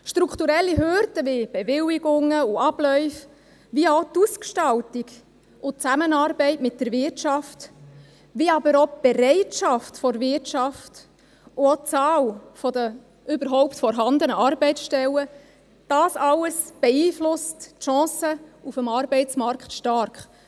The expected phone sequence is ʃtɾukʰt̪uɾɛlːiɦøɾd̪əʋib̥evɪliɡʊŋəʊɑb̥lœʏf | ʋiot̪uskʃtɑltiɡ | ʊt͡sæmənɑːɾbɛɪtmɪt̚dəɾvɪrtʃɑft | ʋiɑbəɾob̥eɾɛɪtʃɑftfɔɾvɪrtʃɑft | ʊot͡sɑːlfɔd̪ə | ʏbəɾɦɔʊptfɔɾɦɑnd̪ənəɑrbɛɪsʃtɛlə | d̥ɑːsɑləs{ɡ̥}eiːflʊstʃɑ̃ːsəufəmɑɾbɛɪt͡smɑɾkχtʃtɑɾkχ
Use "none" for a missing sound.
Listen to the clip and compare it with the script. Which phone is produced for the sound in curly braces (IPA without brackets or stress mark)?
b̥